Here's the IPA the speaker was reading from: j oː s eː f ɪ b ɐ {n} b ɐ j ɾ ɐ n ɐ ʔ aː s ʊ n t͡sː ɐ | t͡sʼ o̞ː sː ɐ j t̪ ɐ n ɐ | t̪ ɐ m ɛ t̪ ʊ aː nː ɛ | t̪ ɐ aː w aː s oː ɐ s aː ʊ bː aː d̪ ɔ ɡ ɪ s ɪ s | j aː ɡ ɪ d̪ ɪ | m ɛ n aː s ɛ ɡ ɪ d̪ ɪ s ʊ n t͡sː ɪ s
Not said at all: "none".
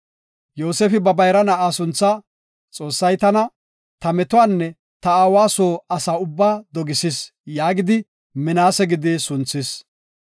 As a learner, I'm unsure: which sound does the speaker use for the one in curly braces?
none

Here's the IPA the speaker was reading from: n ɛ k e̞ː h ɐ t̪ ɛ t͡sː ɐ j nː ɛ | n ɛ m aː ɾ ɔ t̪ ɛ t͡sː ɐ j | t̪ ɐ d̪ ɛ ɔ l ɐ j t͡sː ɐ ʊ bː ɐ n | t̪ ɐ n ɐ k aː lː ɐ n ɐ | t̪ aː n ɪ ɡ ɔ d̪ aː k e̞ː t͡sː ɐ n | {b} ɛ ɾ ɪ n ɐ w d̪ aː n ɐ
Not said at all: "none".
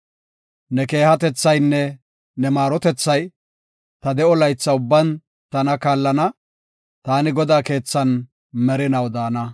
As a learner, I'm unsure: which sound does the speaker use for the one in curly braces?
m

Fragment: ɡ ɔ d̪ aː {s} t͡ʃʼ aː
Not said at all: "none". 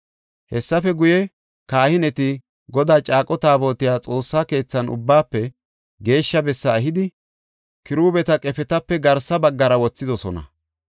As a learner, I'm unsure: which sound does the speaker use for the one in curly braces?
none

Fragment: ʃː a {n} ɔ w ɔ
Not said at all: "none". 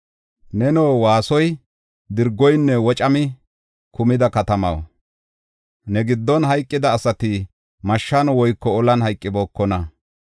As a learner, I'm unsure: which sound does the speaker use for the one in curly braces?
n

